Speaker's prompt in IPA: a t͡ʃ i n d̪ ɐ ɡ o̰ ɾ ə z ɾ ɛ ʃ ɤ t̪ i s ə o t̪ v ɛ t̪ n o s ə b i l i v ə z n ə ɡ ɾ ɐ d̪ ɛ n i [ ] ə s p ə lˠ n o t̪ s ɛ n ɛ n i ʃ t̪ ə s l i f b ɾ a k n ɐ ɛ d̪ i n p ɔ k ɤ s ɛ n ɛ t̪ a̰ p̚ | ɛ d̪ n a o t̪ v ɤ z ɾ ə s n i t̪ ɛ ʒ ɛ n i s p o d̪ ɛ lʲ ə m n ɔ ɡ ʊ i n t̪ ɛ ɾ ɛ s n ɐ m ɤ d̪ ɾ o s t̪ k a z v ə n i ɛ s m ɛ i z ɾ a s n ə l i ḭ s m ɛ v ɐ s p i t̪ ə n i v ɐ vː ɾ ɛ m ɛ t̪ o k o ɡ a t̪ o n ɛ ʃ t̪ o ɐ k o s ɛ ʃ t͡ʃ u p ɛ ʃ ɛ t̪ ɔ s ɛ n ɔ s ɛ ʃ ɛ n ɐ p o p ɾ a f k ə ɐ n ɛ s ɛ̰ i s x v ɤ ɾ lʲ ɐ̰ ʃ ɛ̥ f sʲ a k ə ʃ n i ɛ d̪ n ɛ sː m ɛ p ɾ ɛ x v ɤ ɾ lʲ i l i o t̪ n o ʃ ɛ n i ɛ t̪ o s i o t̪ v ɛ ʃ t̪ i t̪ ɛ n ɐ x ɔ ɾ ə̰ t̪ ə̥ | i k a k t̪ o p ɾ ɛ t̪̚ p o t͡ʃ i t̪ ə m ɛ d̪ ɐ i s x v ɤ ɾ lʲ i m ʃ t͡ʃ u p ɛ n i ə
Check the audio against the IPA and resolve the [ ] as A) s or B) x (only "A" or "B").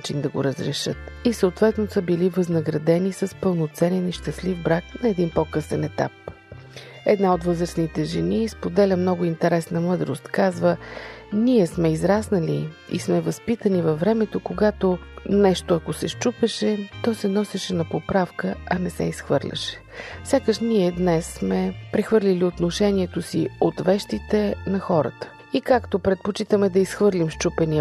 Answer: A